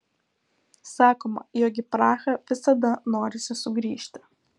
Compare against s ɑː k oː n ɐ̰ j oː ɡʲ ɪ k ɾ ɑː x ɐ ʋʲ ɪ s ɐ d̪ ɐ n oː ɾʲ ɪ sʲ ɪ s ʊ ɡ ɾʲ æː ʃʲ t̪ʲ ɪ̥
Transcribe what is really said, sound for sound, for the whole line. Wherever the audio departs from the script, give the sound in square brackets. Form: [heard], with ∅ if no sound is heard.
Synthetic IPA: s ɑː k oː [m] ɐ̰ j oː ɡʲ ɪ [p] ɾ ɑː x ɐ ʋʲ ɪ s ɐ d̪ ɐ n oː ɾʲ ɪ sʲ ɪ s ʊ ɡ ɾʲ [iː] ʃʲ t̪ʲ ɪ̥